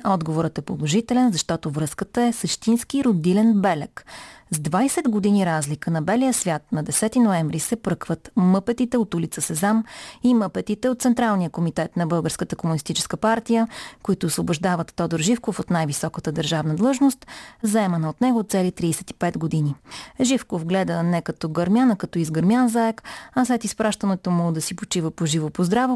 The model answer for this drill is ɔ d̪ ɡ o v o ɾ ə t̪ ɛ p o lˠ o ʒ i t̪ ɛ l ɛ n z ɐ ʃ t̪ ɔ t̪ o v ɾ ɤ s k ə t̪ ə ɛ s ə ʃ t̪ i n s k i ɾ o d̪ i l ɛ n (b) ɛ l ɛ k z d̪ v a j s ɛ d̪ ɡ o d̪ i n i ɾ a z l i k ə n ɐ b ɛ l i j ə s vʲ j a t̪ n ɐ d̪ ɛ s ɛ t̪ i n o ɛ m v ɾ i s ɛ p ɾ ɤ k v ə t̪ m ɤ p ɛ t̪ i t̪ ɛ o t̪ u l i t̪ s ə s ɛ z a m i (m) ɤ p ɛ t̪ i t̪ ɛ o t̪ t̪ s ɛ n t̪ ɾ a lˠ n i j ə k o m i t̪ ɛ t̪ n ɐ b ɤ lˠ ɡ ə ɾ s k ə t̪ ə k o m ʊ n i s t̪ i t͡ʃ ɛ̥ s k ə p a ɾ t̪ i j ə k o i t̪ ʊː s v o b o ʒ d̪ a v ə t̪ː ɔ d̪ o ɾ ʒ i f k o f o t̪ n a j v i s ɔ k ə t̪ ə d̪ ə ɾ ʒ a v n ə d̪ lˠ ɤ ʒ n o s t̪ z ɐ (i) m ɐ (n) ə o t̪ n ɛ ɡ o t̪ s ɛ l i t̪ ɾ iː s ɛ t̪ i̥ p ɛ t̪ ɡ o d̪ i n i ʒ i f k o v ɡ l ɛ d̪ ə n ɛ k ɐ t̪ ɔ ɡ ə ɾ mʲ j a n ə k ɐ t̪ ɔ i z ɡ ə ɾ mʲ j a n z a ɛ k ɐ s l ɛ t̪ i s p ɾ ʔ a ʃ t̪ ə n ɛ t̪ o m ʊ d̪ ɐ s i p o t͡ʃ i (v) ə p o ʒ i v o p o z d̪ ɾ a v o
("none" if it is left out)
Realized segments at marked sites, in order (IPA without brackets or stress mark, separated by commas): b, m, ɛ, n, v